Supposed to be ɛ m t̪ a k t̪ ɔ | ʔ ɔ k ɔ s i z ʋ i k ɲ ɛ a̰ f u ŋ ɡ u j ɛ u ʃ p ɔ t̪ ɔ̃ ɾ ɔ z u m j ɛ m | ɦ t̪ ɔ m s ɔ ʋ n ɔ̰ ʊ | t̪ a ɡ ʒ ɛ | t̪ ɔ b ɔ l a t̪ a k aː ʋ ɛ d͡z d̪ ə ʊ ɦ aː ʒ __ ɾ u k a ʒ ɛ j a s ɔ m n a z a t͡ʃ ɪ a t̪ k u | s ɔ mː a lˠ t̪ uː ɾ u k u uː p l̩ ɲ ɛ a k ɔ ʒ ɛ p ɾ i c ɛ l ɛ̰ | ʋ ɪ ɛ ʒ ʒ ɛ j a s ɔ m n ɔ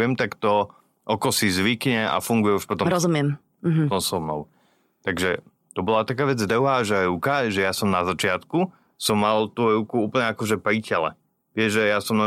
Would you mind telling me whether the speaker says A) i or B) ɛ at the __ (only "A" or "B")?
B